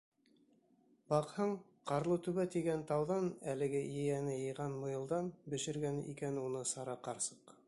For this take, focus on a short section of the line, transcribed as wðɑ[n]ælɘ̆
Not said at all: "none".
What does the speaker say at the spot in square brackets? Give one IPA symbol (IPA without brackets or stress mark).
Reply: n